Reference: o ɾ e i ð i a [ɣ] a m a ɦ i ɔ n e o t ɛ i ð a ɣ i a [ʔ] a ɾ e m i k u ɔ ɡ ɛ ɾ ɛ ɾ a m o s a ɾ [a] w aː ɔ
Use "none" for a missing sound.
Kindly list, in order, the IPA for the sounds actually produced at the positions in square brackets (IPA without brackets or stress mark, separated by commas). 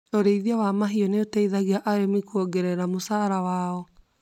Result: w, ʔ, a